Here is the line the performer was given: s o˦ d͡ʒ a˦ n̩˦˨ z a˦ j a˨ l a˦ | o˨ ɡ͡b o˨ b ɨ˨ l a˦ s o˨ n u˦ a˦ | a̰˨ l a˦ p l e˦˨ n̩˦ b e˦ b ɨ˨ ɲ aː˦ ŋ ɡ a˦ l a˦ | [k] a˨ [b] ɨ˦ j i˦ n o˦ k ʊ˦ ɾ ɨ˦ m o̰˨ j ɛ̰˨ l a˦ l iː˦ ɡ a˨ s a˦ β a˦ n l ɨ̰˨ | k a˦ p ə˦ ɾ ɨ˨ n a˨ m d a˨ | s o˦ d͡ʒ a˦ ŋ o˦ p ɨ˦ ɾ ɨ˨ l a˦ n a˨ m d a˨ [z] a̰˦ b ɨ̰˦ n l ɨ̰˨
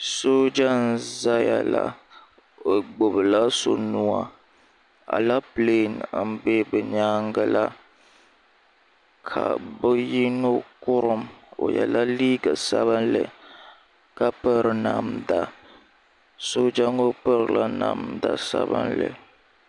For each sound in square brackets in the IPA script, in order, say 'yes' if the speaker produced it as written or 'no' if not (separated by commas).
no, yes, no